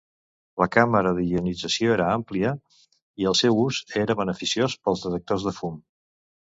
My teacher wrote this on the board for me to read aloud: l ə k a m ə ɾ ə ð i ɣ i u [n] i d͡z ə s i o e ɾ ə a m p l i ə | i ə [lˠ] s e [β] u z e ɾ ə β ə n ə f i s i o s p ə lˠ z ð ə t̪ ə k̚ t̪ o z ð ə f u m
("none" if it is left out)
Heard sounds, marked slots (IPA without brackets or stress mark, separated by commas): n, lˠ, w